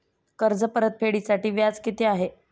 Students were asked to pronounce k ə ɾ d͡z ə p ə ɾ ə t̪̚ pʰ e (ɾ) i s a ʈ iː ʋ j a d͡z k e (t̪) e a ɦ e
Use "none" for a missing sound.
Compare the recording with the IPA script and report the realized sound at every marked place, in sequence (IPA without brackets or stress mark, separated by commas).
ɽ, t̪